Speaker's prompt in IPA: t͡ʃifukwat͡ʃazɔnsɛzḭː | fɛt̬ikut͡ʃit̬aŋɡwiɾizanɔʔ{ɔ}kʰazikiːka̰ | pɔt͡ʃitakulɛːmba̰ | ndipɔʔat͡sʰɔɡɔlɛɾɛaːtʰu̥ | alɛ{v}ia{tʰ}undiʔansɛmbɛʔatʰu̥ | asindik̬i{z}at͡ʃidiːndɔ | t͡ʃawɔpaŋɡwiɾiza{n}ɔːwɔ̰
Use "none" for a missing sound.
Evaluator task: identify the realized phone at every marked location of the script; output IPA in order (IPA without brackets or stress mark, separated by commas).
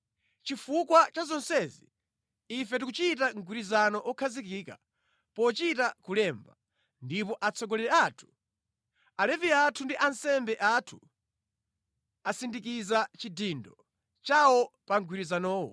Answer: ɔ, v, tʰ, z, n